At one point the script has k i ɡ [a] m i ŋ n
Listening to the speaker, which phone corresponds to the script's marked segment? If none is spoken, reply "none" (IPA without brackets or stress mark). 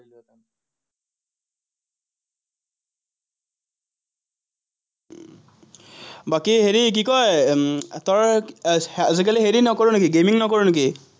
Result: e